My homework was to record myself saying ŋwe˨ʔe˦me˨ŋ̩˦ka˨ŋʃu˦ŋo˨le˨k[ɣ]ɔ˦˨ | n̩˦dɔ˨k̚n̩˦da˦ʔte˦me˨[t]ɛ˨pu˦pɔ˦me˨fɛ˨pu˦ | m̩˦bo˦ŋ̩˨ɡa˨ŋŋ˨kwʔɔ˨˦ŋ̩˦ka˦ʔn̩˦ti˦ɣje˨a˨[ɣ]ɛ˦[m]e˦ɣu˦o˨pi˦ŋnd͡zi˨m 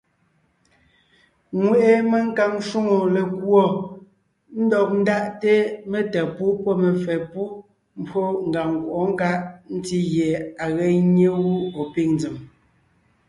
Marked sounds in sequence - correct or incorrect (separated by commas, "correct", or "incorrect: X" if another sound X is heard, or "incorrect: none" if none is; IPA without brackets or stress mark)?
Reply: incorrect: w, correct, correct, incorrect: ɲ